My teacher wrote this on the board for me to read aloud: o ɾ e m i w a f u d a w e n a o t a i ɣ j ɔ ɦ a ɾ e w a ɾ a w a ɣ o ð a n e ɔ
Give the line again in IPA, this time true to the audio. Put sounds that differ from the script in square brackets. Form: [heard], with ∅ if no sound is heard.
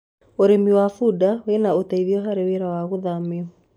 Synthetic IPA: o ɾ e m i w a f u d a w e n a o t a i [ð] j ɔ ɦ a ɾ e w [e] ɾ a w a ɣ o ð a [m] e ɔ

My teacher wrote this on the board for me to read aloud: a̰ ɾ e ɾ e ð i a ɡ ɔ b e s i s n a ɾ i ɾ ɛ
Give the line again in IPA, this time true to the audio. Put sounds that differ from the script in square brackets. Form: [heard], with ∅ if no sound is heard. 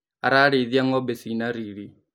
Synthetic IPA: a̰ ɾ [a] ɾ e ð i a [ŋ] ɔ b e s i [∅] n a ɾ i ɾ [i]

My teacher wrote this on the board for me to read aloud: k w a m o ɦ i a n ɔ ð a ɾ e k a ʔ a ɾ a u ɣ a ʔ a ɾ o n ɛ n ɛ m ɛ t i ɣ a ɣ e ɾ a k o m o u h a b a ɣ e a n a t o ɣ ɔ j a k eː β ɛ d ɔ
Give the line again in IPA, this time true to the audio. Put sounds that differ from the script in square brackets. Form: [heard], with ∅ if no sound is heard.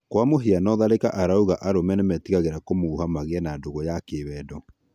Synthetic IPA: k w a m o ɦ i a n ɔ ð a ɾ e k a ʔ a ɾ a u ɣ a ʔ a ɾ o [m] ɛ n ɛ m ɛ t i ɣ a ɣ e ɾ a k o m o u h a [m] a ɣ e [ɛ] n a [d] o ɣ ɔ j a k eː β ɛ d ɔ

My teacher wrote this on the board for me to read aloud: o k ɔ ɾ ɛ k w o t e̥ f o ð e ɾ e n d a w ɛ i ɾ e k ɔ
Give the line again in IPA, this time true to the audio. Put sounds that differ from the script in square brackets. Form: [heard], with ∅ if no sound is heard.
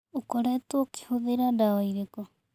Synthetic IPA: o k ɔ ɾ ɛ [t] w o [k] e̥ [h] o ð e ɾ [a] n d a w [a] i ɾ e k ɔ

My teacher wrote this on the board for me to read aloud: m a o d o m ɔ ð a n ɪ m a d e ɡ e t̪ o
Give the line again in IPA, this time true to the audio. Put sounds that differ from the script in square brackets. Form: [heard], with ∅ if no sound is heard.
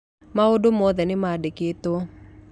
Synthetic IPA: m a o d o m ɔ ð [ɛ] n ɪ m a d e [k] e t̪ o

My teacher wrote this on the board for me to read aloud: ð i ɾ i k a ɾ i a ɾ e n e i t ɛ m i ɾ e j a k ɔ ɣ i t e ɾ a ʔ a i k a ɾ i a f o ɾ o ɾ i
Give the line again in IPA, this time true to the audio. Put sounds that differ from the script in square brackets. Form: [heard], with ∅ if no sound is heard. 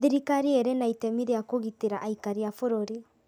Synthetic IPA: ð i ɾ i k a ɾ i [e] ɾ e n [a] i t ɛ m i ɾ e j a k [o] ɣ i t e ɾ a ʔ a i k a ɾ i a f o ɾ o ɾ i

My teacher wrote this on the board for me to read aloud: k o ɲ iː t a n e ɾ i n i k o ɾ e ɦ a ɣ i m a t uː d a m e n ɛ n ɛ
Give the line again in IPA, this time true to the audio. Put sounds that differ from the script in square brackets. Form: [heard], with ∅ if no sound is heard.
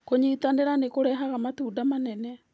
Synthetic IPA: k o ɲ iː t a n e ɾ [a] n [e] k o ɾ [ɛ] ɦ a ɣ [a] m a t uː d a m [a] n ɛ n ɛ

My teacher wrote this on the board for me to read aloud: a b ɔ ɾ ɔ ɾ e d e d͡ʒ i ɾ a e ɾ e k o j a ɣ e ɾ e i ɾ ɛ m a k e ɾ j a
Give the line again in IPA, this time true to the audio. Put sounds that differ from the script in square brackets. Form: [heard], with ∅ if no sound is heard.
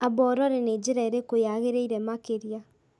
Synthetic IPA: a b ɔ ɾ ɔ ɾ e [n] e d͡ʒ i ɾ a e ɾ e k o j a ɣ e ɾ e i ɾ ɛ m a k e ɾ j a

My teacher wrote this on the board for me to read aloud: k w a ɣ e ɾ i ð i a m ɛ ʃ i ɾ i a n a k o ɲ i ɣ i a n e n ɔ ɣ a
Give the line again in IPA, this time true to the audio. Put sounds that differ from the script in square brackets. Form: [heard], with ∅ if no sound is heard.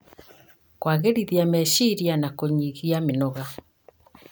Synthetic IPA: k w a ɣ e ɾ i ð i a m ɛ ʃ i ɾ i a n a k o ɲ i ɣ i a [m] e n ɔ ɣ a

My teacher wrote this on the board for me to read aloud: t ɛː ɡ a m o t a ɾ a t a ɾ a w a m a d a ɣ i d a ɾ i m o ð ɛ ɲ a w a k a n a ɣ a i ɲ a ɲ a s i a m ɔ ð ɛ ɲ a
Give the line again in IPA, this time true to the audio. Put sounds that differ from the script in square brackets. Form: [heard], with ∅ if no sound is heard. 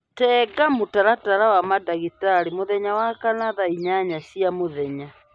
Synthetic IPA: t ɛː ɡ a m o t a ɾ a t a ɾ a w a m a d a ɣ i [t] a ɾ i m o ð ɛ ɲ a w a k a n a [ð] a i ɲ a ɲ a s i a m [o] ð ɛ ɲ a

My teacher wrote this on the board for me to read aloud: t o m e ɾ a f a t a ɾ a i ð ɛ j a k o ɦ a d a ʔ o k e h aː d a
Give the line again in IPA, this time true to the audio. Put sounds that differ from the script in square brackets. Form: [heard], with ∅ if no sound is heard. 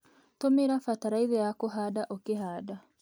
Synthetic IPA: t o m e ɾ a f a t a ɾ a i ð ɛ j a k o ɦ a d a ʔ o k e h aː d a

